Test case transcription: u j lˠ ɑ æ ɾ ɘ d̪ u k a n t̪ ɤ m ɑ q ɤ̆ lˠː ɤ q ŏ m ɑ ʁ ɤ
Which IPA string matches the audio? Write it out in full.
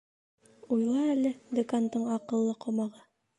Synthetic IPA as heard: u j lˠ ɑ æ l ɘ d̪ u k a n t̪ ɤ ɴ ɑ q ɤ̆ lˠː ɤ q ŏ m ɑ ʁ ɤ